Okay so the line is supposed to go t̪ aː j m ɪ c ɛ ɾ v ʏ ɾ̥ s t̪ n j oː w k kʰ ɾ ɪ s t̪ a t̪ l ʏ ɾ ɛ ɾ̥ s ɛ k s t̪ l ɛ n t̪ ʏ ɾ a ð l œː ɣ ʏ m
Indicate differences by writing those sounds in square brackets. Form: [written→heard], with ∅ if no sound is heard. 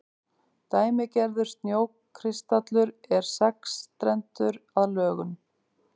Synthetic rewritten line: t̪ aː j m ɪ c ɛ ɾ [v→ð] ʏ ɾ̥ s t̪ n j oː w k kʰ ɾ ɪ s t̪ a t̪ l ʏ ɾ ɛ ɾ̥ s ɛ k s t̪ [l→ɾ] ɛ n t̪ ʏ ɾ a ð l œː ɣ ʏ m